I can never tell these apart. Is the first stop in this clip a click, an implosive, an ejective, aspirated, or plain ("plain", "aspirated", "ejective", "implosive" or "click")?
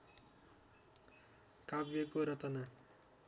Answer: plain